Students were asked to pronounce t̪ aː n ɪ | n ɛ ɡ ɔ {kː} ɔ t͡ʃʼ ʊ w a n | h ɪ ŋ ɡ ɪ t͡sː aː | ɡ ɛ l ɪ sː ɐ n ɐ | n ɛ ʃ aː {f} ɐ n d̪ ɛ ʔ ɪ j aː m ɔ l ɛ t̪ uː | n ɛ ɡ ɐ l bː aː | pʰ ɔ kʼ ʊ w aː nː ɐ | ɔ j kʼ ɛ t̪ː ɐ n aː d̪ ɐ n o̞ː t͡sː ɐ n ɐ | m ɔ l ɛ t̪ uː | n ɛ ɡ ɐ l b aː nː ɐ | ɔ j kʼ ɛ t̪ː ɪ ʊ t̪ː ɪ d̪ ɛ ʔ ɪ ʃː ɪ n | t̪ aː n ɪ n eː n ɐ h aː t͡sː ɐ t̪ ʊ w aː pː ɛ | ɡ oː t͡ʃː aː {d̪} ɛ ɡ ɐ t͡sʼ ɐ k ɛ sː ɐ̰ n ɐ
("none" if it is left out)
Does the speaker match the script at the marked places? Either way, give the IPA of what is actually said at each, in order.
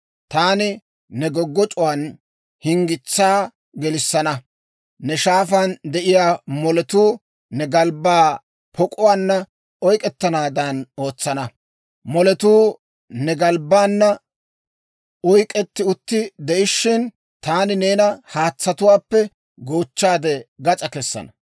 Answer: ɡː, f, d̪

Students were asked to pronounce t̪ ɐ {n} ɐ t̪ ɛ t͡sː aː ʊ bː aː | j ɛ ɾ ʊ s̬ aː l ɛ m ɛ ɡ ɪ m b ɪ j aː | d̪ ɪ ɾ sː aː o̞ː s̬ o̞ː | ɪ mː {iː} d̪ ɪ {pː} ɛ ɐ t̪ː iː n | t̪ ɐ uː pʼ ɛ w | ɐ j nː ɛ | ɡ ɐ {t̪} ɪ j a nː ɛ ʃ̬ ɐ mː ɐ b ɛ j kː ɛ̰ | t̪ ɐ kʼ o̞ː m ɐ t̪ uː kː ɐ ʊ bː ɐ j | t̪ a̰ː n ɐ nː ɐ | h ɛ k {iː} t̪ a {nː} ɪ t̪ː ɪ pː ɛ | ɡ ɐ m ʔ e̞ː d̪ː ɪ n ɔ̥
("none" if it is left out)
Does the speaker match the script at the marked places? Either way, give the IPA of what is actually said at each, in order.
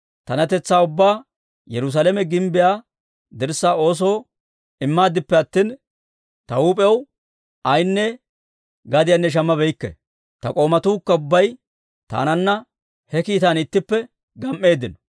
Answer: n, aː, pː, d̪, iː, n

